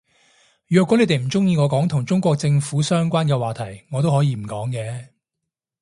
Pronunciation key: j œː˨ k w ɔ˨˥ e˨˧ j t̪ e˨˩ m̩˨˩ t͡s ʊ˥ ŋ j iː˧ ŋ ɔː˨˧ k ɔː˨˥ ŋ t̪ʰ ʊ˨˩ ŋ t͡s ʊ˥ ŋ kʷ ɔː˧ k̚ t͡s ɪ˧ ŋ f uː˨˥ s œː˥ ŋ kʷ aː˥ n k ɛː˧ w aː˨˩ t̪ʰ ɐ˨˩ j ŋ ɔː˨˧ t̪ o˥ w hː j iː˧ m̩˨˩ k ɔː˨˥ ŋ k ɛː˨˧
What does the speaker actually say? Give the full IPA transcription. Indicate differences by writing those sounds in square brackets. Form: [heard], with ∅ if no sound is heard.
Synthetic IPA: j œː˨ k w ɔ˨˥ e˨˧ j t̪ e˨˩ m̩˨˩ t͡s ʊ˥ ŋ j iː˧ ŋ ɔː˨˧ k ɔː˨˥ ŋ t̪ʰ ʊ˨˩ ŋ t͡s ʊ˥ ŋ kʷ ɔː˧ k̚ t͡s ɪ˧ ŋ f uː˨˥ s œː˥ ŋ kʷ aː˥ n k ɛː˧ w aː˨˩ t̪ʰ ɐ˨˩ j ŋ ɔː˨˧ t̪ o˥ w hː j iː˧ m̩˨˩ k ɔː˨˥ ŋ k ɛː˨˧